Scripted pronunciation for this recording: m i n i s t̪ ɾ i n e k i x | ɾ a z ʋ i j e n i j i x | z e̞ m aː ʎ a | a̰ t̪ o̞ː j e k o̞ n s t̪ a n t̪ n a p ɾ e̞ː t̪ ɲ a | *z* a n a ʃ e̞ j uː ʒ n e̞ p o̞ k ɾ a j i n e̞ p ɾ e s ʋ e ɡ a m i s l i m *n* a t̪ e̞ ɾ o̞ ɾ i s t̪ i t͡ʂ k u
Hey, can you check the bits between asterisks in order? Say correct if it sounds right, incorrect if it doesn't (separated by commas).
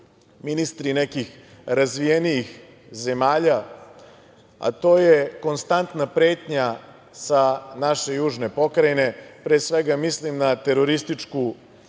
incorrect, correct